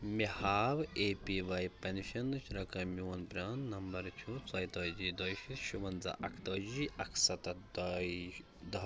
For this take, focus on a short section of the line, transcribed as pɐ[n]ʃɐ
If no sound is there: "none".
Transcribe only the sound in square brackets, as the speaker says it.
n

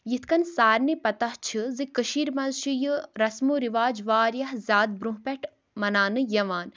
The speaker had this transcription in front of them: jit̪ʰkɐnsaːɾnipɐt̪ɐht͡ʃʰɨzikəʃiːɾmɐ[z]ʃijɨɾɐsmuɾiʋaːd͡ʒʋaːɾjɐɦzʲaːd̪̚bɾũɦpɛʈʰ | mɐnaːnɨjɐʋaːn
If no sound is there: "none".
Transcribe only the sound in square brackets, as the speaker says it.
z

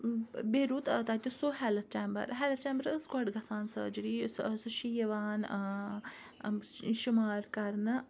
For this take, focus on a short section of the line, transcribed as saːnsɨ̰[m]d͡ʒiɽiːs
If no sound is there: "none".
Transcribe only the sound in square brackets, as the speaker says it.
none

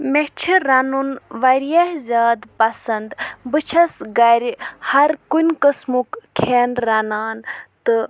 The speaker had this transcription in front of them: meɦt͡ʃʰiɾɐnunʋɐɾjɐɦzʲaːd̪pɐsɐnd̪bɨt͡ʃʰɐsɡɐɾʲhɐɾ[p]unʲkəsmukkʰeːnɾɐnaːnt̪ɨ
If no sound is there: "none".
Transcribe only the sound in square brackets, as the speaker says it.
k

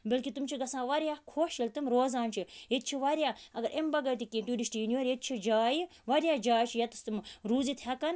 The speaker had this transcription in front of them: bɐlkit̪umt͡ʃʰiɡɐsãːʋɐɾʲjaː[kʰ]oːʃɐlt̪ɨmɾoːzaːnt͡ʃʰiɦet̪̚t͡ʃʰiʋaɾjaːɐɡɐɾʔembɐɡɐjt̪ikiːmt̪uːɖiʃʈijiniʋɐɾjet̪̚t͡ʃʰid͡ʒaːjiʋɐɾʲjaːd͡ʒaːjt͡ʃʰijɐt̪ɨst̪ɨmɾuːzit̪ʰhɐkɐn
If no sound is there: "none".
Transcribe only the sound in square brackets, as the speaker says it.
kʰ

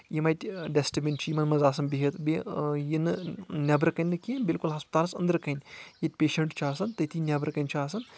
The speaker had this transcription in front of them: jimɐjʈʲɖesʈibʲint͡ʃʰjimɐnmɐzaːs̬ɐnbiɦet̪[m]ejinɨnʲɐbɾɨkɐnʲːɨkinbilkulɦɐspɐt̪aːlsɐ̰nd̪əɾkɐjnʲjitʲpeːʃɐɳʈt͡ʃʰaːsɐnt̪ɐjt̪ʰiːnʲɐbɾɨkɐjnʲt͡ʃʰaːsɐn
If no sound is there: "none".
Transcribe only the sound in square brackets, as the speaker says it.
b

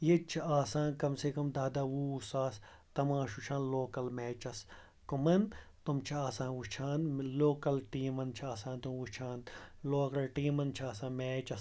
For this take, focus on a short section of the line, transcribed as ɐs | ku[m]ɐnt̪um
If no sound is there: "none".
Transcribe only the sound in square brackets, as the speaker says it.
m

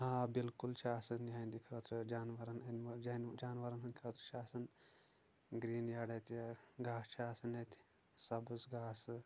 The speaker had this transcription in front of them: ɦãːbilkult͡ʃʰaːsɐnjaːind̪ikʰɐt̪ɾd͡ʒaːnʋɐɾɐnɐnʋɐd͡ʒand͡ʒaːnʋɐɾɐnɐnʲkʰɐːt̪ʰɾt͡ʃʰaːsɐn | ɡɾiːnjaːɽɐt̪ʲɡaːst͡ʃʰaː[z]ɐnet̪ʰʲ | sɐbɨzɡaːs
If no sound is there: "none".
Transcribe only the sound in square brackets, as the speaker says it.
s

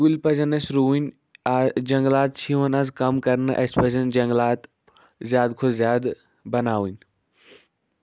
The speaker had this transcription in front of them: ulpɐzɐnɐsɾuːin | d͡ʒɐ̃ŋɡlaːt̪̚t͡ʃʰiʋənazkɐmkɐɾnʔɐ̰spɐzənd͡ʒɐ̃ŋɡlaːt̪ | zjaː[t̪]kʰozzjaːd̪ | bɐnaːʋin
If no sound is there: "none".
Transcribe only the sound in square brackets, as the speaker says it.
d̪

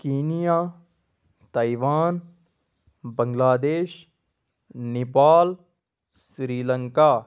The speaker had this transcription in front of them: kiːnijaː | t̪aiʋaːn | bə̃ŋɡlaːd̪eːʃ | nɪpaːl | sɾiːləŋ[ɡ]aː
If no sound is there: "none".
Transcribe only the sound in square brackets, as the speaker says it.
k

